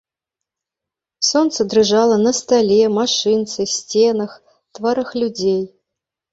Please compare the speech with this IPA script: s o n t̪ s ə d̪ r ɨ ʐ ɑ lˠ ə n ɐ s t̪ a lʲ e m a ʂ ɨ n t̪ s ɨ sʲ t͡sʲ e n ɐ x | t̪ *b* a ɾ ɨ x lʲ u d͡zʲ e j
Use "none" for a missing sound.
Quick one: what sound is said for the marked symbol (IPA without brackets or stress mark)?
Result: v